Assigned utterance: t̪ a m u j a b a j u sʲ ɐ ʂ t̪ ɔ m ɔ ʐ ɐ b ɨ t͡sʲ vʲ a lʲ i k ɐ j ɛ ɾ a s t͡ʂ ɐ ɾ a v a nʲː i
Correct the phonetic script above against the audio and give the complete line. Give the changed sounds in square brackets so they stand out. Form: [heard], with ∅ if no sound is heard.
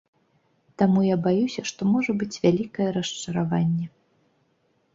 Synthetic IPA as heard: t̪ a m u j a b a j u sʲ ɐ ʂ t̪ ɔ m ɔ ʐ ɐ b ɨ t͡sʲ vʲ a lʲ i k ɐ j ɛ ɾ [ɐ] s t͡ʂ ɐ ɾ a v a nʲː [ɛ]